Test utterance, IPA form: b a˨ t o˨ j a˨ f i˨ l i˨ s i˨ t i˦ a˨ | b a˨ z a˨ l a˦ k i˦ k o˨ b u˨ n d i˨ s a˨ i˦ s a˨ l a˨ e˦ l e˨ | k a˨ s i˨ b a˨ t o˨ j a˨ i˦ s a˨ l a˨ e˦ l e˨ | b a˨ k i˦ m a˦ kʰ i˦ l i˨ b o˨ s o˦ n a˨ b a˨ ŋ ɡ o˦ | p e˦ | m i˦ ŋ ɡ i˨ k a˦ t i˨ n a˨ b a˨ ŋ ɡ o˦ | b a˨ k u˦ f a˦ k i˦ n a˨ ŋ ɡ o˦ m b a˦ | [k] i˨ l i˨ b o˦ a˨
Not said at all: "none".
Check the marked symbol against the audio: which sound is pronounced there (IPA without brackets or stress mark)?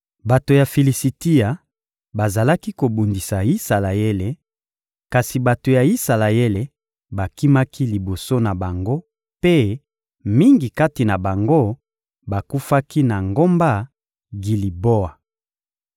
ɡ